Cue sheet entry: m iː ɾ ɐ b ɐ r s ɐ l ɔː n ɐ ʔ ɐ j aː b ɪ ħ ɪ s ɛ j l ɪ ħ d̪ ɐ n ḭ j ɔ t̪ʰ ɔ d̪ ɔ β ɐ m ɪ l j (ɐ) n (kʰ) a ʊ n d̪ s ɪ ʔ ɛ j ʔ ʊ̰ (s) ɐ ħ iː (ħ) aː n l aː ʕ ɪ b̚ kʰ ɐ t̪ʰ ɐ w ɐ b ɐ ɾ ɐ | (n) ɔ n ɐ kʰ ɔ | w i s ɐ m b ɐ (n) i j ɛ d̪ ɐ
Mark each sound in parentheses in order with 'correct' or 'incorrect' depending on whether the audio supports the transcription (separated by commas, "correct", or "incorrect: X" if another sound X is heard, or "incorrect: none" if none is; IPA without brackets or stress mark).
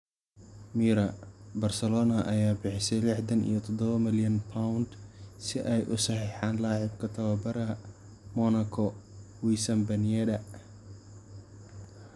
correct, incorrect: pʰ, correct, correct, incorrect: m, correct